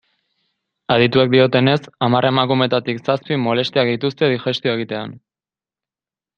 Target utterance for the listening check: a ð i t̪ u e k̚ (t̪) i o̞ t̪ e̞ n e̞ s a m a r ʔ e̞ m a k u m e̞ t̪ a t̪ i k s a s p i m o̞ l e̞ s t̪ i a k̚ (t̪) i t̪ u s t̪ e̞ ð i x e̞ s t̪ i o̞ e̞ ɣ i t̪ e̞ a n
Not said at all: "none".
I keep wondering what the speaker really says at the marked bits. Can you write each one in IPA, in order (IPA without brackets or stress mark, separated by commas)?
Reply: d̪, d̪